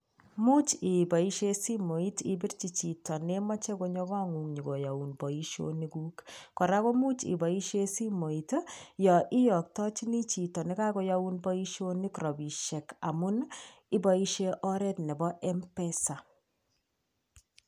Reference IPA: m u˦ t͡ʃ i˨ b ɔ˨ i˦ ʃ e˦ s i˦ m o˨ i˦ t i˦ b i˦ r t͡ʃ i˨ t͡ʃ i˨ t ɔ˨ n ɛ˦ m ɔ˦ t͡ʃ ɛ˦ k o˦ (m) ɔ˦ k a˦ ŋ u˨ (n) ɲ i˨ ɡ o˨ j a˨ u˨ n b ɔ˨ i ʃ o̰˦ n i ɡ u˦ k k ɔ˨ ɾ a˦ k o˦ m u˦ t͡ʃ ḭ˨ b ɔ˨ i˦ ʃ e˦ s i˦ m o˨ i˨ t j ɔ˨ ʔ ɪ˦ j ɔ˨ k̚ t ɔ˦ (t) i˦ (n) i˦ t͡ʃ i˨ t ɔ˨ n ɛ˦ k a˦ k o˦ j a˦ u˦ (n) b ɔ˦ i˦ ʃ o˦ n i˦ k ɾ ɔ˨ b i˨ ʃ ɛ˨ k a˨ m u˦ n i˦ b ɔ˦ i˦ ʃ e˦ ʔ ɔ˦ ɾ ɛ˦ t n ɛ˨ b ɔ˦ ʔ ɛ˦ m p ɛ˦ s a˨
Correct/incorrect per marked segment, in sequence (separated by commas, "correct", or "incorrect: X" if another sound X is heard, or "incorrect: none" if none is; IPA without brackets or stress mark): incorrect: ɲ, incorrect: ŋ, incorrect: t͡ʃ, correct, correct